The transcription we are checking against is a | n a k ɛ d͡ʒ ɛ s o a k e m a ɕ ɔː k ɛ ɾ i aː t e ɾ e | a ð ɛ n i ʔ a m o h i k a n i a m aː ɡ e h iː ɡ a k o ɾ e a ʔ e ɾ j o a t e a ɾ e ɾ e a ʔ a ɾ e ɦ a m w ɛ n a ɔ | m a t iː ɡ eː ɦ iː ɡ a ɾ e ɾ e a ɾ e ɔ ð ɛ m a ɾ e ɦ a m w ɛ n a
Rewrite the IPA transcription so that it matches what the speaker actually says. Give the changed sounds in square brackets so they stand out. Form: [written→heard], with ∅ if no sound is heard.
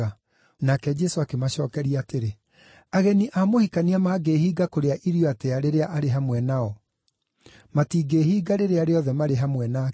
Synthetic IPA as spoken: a | n a k ɛ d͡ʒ ɛ s o a k e m a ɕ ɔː k ɛ ɾ i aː t e ɾ e | a [ð→ɣ] ɛ n i ʔ a m o h i k a n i a m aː ɡ e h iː ɡ a k o ɾ e a ʔ [e→i] ɾ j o a t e a ɾ e ɾ e a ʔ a ɾ e ɦ a m w ɛ n a ɔ | m a t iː ɡ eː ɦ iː ɡ a ɾ e ɾ e a ɾ e ɔ ð ɛ m a ɾ e ɦ a m w ɛ n a

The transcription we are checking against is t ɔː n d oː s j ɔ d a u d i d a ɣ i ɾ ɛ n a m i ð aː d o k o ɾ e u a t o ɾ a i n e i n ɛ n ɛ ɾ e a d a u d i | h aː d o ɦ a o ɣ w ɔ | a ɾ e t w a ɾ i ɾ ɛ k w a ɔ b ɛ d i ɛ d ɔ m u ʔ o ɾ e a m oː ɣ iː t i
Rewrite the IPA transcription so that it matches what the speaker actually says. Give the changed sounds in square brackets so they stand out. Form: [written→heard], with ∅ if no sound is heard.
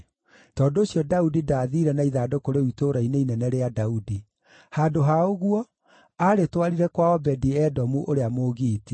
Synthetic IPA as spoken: t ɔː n d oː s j ɔ d a u d i d a [ɣ→ð] i ɾ ɛ n a [m→∅] i ð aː d o k o ɾ e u [a→i] t o ɾ a i n e i n ɛ n ɛ ɾ e a d a u d i | h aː d o ɦ a o ɣ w ɔ | a ɾ e t w a ɾ i ɾ ɛ k w a ɔ b ɛ d i ɛ d ɔ m u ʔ o ɾ e a m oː ɣ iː t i

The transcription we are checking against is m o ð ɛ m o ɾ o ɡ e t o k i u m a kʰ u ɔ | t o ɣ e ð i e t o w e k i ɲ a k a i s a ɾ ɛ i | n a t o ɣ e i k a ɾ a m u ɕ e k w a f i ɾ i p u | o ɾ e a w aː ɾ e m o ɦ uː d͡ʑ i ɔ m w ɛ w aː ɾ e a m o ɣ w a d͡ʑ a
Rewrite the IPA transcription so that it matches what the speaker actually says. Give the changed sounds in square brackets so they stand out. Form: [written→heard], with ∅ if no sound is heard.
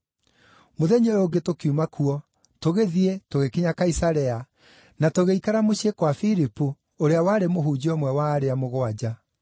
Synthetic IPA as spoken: m o ð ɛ [m→ɲ] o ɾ o ɡ e t o k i u m a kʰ u ɔ | t o ɣ e ð i e t o [w→ɣ] e k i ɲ a k a i s a ɾ ɛ [i→a] | n a t o ɣ e i k a ɾ a m [u→o] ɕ e k w a f i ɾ i p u | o ɾ e a w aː ɾ e m o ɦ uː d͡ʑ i ɔ m w ɛ w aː ɾ e a m o ɣ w a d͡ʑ a

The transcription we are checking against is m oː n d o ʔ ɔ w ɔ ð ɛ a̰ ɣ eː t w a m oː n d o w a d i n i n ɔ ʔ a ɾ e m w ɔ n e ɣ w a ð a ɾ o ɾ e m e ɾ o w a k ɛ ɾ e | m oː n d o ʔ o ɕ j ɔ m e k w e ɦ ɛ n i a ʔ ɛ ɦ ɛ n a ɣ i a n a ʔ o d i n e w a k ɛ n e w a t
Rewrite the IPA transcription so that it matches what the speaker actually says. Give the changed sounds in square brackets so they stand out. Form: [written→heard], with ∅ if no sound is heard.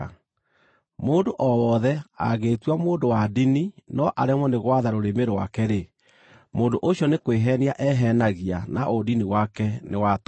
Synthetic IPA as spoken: m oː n d o ʔ ɔ w ɔ ð ɛ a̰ ɣ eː t w a m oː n d o w a d i n i n ɔ ʔ a ɾ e m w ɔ n e ɣ w a ð a ɾ o ɾ e m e ɾ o w a k ɛ ɾ e | m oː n d o ʔ o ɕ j ɔ [m→n] e k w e ɦ ɛ n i a ʔ ɛ ɦ ɛ n a ɣ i a n a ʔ o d i n [e→i] w a k ɛ n e w a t

